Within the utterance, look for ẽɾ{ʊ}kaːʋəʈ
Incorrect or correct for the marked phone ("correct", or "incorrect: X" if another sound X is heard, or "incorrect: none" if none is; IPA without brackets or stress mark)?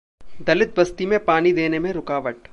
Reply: correct